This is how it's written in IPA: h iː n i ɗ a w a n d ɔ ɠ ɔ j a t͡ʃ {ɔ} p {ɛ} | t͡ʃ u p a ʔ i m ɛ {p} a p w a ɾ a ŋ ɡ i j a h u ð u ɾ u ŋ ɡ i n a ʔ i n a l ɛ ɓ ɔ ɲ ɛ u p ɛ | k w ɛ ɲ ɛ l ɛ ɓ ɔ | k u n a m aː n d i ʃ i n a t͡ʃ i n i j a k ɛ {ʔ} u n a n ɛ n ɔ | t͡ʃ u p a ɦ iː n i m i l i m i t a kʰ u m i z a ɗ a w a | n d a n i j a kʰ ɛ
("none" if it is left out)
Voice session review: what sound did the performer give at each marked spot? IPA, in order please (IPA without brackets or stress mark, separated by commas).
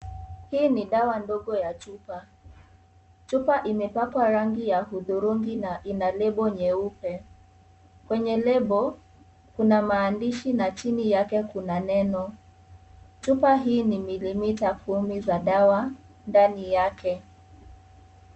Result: u, a, p, k